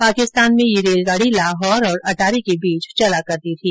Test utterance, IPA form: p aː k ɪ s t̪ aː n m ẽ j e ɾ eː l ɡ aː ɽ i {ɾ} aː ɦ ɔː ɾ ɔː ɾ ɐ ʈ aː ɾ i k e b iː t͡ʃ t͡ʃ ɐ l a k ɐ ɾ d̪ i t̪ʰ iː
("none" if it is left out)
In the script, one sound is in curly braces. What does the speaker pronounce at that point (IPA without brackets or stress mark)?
l